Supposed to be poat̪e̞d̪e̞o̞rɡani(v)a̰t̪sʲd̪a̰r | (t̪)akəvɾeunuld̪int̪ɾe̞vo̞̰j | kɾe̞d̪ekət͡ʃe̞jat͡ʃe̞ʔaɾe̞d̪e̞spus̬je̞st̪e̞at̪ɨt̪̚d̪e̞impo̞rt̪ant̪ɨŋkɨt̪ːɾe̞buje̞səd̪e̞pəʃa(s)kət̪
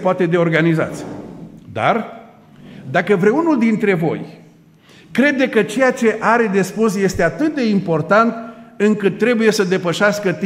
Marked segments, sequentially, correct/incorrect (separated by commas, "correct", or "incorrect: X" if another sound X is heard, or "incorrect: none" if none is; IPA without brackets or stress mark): incorrect: z, incorrect: d̪, correct